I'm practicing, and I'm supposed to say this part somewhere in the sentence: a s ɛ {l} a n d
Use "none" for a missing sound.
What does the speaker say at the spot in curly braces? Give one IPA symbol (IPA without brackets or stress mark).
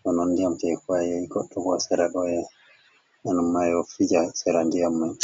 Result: ɾ